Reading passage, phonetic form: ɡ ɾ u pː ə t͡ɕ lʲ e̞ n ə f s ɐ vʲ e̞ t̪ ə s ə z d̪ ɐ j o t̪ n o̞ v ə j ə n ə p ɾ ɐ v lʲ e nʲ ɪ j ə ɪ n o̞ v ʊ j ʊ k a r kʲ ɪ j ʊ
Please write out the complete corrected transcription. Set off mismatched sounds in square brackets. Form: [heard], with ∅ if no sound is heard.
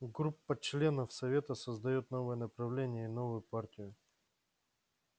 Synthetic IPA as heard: ɡ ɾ u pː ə t͡ɕ lʲ e̞ n ə f s ɐ vʲ e̞ t̪ ə s ə z d̪ ɐ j o t̪ n o̞ v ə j ə n ə p ɾ ɐ v lʲ e nʲ ɪ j ə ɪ n o̞ v ʊ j ʊ [p] a r [tʲ] ɪ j ʊ